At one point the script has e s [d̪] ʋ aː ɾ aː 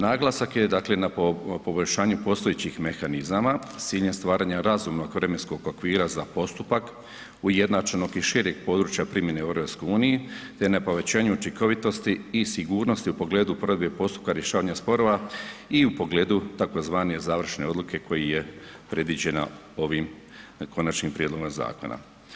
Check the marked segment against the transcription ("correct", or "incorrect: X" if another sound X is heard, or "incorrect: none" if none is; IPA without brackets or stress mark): incorrect: t̪